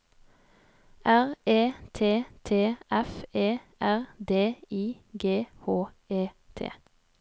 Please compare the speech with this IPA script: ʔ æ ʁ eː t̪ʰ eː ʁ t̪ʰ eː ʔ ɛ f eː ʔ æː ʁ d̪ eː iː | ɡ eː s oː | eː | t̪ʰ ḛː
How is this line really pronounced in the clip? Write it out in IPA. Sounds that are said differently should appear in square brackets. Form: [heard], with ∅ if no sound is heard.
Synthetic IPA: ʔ æ ʁ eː t̪ʰ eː [∅] t̪ʰ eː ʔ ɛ f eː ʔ [æ] ʁ d̪ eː iː | ɡ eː [h] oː | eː | t̪ʰ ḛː